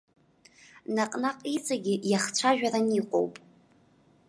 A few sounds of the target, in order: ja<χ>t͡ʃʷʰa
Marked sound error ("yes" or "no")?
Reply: no